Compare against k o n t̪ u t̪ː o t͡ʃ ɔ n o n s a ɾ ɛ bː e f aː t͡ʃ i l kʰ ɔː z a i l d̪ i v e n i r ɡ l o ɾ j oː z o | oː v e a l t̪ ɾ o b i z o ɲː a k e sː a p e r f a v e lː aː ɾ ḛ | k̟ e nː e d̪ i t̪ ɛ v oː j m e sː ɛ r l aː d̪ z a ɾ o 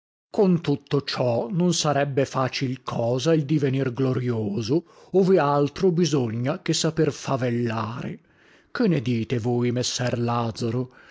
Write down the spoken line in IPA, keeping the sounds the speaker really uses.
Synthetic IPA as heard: k o n t̪ u t̪ː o t͡ʃ ɔ n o n s a ɾ ɛ bː e f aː t͡ʃ i l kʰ ɔː z a i l d̪ i v e n i r ɡ l o ɾ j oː z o | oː v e a l t̪ ɾ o b i z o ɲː a k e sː a p e r f a v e lː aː ɾ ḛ | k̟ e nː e d̪ iː t̪ e v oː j m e sː ɛ r l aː d̪ z a ɾ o

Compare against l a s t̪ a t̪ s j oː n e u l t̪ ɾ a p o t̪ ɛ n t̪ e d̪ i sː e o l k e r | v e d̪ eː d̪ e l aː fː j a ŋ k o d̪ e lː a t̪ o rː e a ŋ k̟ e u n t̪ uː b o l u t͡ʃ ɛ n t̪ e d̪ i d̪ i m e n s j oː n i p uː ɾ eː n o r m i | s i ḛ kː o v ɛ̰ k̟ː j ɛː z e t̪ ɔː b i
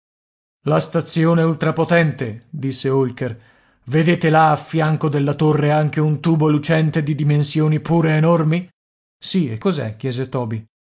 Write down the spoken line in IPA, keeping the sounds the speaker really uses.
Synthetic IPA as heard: l a s t̪ a t̪ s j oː n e u l t̪ ɾ a p o t̪ ɛ n t̪ e d̪ i sː e o l k e r | v e d̪ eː t̪ e l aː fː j a ŋ k o d̪ e lː a t̪ o rː e a ŋ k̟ e u n t̪ uː b o l u t͡ʃ ɛ n t̪ e d̪ i d̪ i m e n s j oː n i p uː ɾ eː n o r m i | s i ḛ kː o z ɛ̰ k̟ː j ɛː z e t̪ ɔː b i

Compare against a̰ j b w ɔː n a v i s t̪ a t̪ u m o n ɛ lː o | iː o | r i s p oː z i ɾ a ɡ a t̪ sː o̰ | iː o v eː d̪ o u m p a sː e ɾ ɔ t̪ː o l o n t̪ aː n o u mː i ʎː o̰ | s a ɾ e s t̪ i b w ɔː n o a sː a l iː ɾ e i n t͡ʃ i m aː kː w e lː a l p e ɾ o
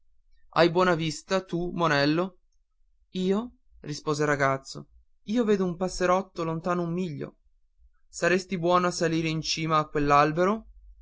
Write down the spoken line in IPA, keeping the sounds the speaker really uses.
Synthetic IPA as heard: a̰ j b w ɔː n a v i s t̪ a t̪ u m o n ɛ lː o | iː o | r i s p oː z e ɾ a ɡ a t̪ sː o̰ | iː o v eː d̪ o u m p a sː e ɾ ɔ t̪ː o l o n t̪ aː n o u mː i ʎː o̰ | s a ɾ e s t̪ i b w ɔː n o a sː a l iː ɾ e i n t͡ʃ iː m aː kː w e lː a l b e ɾ o

